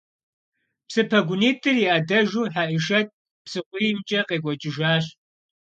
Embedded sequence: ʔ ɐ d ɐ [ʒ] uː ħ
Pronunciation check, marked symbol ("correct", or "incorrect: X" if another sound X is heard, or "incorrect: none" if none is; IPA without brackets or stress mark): correct